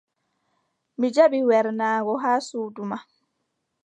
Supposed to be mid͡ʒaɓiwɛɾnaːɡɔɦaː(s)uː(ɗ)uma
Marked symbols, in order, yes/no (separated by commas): yes, no